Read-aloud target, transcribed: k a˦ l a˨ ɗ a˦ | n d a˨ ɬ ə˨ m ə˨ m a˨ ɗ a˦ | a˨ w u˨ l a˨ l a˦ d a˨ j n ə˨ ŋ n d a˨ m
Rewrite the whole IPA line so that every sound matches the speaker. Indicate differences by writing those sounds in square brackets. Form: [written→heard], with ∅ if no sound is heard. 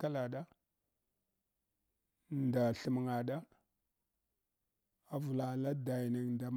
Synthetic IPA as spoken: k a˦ l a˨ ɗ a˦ | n d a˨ ɬ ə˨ m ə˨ [m→ŋ] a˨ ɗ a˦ | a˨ [w→v] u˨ l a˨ l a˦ d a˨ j n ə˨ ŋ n d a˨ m